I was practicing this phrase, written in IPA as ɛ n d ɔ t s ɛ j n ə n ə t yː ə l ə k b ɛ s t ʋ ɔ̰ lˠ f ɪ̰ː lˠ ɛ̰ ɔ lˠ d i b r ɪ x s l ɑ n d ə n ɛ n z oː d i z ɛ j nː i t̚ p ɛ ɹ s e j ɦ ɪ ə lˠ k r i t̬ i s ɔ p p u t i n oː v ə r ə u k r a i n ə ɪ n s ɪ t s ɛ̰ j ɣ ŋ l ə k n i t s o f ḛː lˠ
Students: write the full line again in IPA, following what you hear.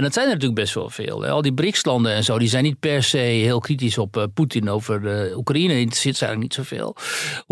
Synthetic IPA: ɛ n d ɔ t s ɛ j n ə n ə t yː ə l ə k b ɛ s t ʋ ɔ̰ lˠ f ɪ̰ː lˠ ɛ̰ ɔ lˠ d i b r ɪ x s l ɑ n d ə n ɛ n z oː d i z ɛ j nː i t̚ p ɛ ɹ s e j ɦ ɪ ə lˠ k r i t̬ i s ɔ p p u t i n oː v ə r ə u k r a i n ə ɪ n s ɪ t s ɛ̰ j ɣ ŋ l ə k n i t s o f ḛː lˠ